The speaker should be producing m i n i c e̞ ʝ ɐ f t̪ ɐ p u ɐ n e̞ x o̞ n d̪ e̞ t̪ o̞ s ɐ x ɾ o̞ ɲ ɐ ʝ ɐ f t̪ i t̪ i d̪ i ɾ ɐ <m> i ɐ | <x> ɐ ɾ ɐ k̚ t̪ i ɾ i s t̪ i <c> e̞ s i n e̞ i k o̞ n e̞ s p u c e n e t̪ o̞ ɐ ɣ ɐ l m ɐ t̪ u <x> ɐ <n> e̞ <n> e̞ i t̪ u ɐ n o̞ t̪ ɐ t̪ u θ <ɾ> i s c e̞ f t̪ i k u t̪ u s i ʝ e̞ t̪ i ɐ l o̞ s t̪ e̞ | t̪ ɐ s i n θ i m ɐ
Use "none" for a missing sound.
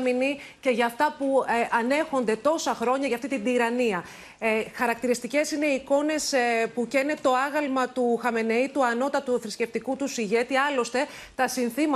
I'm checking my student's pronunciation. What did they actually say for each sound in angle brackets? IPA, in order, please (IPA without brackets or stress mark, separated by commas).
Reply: n, x, c, x, m, n, ɾ